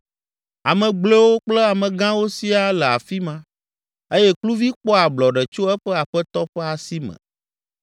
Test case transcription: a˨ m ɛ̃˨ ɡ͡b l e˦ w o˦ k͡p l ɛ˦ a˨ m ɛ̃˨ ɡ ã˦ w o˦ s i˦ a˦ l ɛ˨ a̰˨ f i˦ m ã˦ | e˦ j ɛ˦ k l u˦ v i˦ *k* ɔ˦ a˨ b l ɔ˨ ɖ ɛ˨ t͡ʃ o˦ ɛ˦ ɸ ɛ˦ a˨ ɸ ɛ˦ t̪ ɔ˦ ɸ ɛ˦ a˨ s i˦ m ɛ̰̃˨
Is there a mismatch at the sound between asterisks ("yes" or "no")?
yes